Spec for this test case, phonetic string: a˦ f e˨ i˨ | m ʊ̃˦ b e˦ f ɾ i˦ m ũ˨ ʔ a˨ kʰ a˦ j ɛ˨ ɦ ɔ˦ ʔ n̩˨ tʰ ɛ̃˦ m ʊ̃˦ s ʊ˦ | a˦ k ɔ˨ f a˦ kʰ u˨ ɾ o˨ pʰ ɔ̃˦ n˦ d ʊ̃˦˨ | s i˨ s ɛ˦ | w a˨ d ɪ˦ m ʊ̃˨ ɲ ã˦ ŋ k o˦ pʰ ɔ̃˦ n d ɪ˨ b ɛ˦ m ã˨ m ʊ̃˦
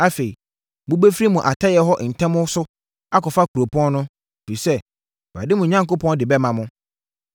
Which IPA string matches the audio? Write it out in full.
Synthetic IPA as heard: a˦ f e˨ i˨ | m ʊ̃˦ b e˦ f ɾ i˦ m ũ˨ ʔ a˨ tʰ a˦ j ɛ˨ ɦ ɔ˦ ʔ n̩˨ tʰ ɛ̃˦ m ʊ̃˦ s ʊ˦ | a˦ k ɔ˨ f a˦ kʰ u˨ ɾ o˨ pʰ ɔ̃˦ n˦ n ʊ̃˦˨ | f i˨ s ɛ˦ | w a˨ d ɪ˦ m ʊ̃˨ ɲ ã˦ ŋ k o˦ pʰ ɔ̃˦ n d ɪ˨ b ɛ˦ m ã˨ m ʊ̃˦